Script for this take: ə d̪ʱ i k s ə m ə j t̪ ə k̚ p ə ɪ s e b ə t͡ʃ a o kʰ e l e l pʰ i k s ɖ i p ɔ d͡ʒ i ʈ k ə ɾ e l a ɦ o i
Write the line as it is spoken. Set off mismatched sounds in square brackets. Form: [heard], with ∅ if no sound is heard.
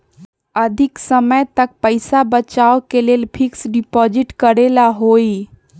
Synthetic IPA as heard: ə d̪ʱ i k s ə m ə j t̪ ə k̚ p ə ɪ s [a] b ə t͡ʃ a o [k] e l e l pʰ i k s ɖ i p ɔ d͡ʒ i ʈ k ə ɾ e l a ɦ o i